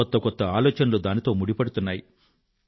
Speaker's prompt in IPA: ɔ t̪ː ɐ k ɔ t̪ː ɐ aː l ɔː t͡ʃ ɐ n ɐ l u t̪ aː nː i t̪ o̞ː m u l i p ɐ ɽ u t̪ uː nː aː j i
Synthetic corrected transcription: ɔ t̪ː ɐ k ɔ t̪ː ɐ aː l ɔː t͡ʃ ɐ n ɐ l u d̪ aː n i t̪ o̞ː m u ɽ i p ɐ ɽ u t̪ u nː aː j i